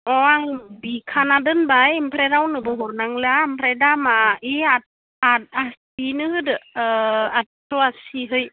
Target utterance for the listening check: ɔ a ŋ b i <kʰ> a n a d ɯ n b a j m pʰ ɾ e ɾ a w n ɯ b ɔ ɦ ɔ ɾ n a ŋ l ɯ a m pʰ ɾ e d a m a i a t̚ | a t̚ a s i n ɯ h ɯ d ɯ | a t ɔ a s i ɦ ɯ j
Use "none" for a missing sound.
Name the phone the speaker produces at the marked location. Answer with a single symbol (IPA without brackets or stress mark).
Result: kʰ